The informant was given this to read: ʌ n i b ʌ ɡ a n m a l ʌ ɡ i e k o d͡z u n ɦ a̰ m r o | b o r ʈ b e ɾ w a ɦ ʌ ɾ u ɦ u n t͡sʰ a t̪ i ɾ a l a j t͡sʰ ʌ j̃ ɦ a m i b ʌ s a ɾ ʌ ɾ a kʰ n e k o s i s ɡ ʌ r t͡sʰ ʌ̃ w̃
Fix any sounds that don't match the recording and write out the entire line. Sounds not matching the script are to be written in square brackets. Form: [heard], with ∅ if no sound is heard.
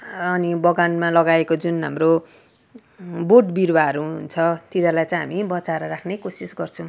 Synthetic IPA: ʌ n i b ʌ ɡ a n m a l ʌ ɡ [a] e k o d͡z u n ɦ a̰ m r o | b o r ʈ b [i] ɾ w a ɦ ʌ ɾ u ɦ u n t͡sʰ [ʌ] t̪ i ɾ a l a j [t͡s] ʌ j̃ ɦ a m i b ʌ [t͡s] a ɾ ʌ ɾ a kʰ n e k o s i s ɡ ʌ r t͡sʰ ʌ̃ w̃